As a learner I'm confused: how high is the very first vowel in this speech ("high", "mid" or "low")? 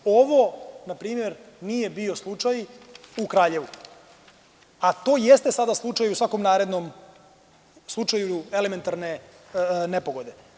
mid